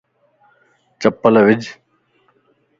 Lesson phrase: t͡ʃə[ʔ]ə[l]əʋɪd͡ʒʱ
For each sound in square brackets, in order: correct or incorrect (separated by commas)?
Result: incorrect, correct